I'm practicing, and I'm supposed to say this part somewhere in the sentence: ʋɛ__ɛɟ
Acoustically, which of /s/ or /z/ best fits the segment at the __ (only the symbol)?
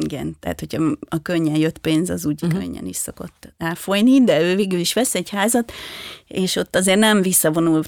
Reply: s